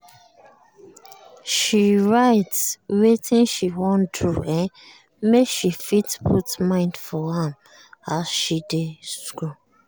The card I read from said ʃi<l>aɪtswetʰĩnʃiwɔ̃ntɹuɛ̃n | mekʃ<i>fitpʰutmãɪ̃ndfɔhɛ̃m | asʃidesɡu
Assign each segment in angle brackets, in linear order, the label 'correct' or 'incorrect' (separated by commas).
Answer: incorrect, correct